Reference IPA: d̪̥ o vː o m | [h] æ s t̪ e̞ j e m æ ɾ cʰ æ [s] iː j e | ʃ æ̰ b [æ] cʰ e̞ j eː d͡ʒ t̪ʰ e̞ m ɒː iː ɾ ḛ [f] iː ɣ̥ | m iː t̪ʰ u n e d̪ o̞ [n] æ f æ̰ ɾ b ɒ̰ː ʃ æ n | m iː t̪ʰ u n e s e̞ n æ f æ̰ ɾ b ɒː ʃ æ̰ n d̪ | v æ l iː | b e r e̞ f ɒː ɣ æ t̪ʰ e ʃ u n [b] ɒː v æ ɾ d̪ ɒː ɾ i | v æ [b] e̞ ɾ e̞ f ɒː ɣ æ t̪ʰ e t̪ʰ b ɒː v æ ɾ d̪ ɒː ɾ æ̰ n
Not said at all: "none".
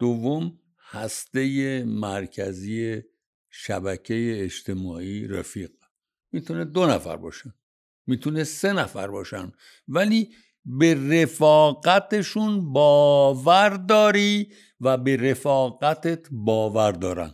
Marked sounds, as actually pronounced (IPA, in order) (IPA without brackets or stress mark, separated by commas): h, z, æ, f, n, b, b